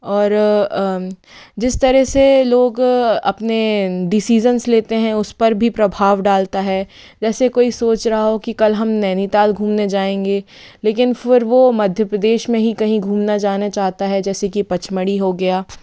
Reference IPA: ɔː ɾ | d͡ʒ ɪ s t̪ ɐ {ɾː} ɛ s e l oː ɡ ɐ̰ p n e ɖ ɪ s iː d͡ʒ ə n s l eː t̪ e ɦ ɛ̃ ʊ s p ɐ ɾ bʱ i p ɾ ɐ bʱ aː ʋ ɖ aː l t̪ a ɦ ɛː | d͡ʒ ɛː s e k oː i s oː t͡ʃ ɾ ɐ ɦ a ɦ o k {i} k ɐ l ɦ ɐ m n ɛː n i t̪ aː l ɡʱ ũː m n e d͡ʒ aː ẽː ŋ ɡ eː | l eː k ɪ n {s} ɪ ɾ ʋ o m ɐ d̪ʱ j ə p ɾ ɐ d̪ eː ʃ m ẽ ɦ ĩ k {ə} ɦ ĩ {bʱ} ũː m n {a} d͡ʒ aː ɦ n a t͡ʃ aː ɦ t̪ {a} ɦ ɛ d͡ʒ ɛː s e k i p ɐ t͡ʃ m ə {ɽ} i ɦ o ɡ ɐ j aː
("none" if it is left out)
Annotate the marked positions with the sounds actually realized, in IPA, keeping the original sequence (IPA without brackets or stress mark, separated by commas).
ɾ, i, f, ɐ, ɡʱ, a, a, ɽ